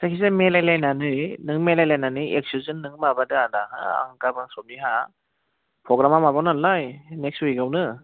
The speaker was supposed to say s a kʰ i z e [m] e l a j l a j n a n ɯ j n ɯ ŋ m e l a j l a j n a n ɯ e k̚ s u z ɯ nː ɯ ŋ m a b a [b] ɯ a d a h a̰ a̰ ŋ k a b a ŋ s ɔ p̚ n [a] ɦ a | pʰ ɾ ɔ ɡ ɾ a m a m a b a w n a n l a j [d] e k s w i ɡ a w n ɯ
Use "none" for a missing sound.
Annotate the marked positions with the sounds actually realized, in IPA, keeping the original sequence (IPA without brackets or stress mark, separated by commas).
m, d, i, n